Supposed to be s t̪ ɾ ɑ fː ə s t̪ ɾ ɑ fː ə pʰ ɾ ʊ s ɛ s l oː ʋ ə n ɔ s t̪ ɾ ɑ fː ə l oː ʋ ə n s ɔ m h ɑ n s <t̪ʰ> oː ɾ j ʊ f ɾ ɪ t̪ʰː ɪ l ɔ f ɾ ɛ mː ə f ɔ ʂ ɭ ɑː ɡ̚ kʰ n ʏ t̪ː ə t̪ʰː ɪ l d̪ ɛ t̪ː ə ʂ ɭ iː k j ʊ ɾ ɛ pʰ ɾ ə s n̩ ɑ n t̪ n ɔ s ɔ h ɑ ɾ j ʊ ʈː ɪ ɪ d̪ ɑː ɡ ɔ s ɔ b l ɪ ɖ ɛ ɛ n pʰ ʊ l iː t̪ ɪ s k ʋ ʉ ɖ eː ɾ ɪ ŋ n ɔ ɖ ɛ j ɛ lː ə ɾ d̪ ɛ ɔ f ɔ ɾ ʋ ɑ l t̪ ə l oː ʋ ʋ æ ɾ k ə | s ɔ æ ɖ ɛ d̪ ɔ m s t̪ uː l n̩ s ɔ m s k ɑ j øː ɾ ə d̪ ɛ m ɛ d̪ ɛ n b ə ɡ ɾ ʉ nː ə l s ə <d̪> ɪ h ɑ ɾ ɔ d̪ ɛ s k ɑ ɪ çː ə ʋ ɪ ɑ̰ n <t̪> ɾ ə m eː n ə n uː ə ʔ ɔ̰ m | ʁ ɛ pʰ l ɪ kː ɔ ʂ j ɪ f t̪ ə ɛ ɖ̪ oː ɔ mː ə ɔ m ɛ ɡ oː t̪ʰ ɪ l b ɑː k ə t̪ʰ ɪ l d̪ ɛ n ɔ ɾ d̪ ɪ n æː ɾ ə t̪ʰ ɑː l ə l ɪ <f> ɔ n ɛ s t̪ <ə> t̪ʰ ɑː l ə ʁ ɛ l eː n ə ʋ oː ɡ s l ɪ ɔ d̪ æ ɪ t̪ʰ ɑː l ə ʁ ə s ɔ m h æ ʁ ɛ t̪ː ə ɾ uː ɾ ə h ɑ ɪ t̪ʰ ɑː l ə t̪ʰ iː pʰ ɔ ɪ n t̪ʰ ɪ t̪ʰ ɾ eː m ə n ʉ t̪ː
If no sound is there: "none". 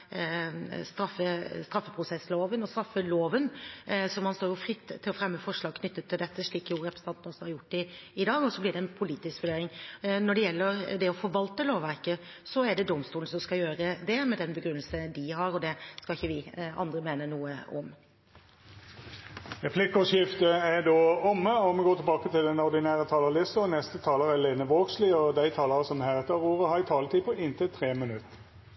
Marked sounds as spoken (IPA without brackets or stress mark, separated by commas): t̪, d̪, d̪, s, ə